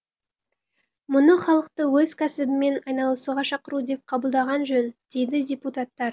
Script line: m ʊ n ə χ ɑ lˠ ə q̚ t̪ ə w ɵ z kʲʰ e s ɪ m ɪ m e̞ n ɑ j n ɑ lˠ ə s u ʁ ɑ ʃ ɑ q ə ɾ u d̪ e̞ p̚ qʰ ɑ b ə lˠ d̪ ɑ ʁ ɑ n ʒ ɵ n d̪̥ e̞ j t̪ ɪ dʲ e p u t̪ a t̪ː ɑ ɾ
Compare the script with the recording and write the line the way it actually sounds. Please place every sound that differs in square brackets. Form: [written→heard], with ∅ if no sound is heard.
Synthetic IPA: m ʊ n ə χ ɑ lˠ ə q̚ t̪ ə w ɵ z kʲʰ [e→æ] s ɪ [m→b] ɪ m e̞ n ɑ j n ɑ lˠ ə s u ʁ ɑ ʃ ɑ q ə ɾ u d̪ e̞ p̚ qʰ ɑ b ə lˠ d̪ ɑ ʁ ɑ n ʒ ɵ n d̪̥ e̞ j [t̪→d̪] ɪ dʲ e p u t̪ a t̪ː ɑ ɾ